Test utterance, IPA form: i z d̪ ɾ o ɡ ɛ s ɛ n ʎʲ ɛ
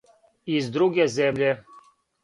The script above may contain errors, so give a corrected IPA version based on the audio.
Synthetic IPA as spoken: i z d̪ ɾ u ɡ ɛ z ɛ m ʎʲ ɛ